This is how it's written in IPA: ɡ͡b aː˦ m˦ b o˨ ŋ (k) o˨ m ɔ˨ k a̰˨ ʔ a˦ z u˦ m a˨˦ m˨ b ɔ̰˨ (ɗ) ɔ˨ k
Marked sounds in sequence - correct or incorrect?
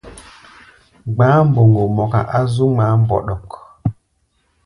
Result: incorrect: ɡ, correct

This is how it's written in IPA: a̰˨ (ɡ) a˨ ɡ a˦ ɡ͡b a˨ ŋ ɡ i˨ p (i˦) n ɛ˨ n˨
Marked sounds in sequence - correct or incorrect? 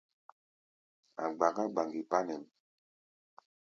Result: incorrect: ɡ͡b, incorrect: a˦

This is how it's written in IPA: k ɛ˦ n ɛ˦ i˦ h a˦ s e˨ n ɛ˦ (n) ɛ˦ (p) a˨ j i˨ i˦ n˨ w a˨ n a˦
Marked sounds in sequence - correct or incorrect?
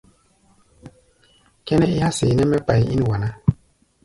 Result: incorrect: m, correct

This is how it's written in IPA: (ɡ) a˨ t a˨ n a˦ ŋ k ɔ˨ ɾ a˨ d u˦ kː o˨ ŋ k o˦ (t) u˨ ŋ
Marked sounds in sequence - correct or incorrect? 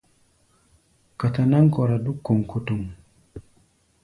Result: incorrect: k, correct

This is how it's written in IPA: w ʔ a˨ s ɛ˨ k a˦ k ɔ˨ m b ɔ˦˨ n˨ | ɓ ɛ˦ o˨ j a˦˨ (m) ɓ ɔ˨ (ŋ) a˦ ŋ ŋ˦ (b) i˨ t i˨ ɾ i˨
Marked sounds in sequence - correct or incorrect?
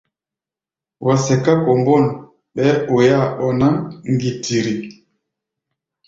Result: incorrect: none, incorrect: n, incorrect: ɡ

